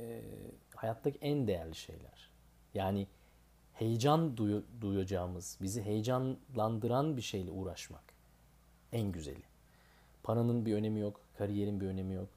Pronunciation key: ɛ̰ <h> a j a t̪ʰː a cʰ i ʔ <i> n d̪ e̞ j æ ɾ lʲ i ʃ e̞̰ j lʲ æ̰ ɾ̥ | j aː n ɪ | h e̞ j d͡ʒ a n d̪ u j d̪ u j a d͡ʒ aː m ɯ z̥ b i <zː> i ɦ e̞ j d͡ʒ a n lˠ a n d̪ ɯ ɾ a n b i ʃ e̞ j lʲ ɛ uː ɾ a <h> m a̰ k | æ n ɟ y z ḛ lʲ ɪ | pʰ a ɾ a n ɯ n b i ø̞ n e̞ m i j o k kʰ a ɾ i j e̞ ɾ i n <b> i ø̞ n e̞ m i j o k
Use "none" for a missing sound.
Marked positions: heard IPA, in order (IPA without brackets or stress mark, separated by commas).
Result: h, æ, z, ʃ, b